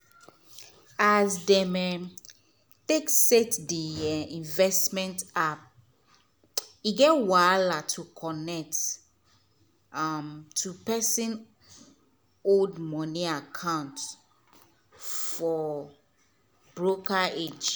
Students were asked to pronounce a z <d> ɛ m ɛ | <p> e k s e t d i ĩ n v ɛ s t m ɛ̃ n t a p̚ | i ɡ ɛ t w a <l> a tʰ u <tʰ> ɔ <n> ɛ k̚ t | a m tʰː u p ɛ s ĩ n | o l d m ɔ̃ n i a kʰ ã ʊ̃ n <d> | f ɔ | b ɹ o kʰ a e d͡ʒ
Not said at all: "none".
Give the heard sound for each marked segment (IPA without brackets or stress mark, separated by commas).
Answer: d, t, l, kʰ, n, t